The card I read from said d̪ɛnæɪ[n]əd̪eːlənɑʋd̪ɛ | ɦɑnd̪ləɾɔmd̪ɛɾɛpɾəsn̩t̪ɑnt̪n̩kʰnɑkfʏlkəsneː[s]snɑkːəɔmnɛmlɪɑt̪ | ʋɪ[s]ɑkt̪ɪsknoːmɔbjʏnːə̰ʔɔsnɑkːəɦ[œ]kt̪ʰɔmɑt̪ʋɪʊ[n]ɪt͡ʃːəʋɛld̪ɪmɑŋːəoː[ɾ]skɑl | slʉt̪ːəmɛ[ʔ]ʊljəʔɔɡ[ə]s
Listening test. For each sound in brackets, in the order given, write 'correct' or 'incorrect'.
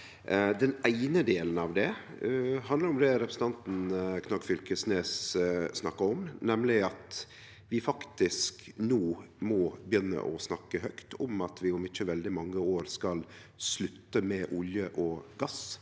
correct, correct, incorrect: f, correct, incorrect: m, correct, correct, incorrect: ɑ

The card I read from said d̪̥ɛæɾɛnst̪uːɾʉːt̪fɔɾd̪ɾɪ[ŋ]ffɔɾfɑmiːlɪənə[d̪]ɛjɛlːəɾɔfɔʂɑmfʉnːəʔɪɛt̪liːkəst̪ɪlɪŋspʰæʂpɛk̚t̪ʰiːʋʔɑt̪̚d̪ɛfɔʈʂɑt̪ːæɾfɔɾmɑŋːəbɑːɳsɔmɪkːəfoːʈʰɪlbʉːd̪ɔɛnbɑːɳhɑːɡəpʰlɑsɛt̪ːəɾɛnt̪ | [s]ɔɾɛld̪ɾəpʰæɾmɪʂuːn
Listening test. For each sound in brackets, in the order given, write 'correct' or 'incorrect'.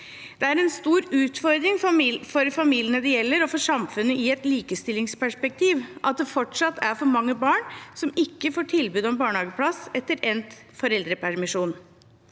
correct, correct, incorrect: f

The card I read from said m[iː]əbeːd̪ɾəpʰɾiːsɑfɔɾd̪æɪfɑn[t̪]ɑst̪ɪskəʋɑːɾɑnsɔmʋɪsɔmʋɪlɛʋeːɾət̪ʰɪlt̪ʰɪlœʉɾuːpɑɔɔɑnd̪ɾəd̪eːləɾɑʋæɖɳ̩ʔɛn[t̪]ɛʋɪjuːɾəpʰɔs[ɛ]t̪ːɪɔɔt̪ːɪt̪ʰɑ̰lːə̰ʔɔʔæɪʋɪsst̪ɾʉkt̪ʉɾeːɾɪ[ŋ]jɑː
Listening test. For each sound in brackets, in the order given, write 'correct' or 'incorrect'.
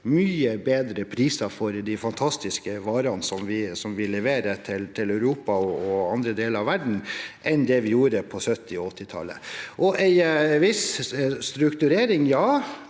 incorrect: yː, incorrect: t̪ʰ, incorrect: d̪, incorrect: œ, correct

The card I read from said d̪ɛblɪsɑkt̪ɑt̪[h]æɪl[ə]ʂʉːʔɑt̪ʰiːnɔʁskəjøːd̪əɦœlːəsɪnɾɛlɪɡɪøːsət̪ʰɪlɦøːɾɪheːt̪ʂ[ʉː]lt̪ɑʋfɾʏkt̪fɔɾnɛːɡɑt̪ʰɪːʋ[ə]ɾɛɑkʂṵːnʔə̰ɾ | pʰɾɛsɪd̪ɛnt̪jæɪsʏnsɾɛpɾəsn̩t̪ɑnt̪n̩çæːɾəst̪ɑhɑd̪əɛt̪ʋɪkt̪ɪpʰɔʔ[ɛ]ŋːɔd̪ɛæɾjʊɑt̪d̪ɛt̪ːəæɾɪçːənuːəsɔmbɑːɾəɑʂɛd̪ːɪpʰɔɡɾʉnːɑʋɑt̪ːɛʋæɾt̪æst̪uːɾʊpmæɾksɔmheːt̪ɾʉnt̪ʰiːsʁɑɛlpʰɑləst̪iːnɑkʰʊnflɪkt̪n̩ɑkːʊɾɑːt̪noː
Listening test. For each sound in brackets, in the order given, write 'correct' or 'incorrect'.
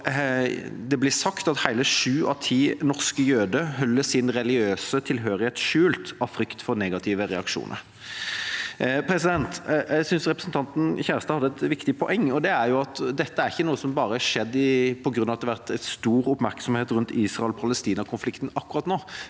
correct, correct, correct, correct, correct

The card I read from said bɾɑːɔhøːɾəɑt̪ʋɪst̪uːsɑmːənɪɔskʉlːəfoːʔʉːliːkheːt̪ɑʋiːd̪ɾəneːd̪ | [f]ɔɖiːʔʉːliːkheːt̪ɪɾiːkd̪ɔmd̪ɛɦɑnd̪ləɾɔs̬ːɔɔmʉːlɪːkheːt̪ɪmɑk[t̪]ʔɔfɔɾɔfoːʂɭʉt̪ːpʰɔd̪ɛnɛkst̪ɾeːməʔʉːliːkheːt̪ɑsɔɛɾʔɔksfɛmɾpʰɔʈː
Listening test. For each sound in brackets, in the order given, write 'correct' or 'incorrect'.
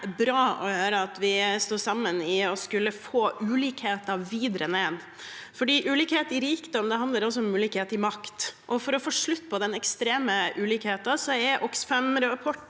correct, correct

